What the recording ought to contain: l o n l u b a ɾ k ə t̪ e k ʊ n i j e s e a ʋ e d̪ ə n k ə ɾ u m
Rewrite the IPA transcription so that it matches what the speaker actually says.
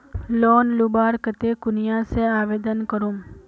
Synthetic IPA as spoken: l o n l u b a ɾ k ə t̪ e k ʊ n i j a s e a ʋ e d̪ ə n k ə ɾ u m